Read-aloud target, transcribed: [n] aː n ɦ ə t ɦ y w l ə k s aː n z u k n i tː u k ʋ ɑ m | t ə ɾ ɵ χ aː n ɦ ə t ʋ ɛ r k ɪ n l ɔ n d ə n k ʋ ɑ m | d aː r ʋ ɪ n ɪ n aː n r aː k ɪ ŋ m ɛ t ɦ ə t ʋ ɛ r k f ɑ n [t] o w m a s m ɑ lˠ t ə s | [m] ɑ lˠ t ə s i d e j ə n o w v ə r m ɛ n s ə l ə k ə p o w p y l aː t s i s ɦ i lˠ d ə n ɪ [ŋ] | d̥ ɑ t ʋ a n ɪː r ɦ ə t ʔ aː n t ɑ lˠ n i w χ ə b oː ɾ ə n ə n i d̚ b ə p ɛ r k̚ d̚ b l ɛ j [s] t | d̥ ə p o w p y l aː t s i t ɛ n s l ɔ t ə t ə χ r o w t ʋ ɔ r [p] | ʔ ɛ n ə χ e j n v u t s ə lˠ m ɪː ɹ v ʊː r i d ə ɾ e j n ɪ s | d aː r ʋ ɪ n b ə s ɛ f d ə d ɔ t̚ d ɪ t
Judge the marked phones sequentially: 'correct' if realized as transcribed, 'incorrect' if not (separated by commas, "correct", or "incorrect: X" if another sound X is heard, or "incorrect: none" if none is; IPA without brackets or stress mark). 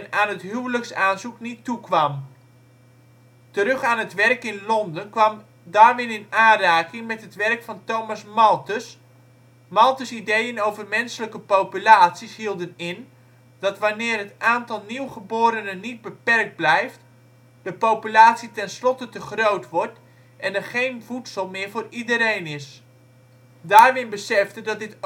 correct, correct, correct, incorrect: n, incorrect: f, incorrect: t